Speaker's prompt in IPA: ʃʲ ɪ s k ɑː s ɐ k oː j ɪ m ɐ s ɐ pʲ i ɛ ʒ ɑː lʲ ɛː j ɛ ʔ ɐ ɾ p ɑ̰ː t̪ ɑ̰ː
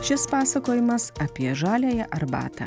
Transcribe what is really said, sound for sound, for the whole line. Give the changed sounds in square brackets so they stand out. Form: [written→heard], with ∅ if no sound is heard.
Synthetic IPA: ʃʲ ɪ s [k→p] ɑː s ɐ k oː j ɪ m ɐ s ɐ pʲ i ɛ ʒ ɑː lʲ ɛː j ɛ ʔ ɐ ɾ [p→b] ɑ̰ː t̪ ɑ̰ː